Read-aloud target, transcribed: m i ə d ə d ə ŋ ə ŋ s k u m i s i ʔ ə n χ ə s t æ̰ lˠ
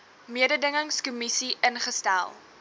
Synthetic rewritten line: m i ə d ə d ə ŋ ə ŋ s k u m i s i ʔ ə n χ ə s t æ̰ lˠ